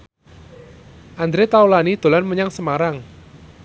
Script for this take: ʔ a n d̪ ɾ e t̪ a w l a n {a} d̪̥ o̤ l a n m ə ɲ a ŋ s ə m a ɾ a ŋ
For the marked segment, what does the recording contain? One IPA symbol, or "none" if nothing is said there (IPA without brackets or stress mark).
i